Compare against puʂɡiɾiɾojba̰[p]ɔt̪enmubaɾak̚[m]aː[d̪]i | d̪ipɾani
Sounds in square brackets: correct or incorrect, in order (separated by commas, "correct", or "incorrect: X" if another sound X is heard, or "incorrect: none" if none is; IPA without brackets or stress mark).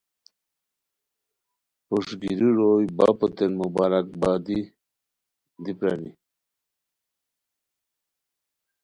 correct, incorrect: b, correct